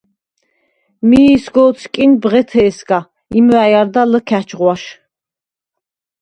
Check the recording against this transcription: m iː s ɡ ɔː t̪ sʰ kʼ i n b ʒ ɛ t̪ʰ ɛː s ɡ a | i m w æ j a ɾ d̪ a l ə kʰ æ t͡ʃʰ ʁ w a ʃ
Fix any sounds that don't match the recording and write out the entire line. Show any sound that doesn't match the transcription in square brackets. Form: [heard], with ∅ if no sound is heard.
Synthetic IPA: m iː s ɡ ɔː t̪ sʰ kʼ i n b [ʁ] ɛ t̪ʰ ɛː s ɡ a | i m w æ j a ɾ d̪ a l ə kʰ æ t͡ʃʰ ʁ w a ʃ